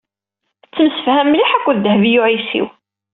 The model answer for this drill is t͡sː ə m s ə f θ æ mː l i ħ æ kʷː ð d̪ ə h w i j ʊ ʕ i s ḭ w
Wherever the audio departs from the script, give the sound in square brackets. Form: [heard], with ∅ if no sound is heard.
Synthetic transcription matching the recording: t͡sː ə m s ə f [h] æ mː l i ħ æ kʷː ð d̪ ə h [v] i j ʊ ʕ i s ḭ w